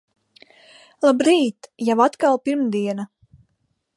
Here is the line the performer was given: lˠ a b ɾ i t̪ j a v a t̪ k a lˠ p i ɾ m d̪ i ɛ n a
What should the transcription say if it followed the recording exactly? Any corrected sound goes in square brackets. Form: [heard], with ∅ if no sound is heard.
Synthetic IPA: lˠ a b ɾ [iː] t̪ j a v a t̪ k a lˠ p i ɾ m d̪ i ɛ n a